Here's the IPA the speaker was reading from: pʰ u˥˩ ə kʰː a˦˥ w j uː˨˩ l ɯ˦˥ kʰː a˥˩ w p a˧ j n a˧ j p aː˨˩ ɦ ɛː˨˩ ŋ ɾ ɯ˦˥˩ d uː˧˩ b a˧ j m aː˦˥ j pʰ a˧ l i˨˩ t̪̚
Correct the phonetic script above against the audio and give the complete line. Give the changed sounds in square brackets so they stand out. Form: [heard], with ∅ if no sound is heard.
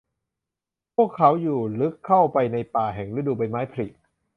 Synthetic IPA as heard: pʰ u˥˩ ə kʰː a˦˥ w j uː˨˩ l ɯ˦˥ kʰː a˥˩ w p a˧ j n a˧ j p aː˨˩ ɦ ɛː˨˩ ŋ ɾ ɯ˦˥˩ d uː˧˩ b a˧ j m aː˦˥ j pʰ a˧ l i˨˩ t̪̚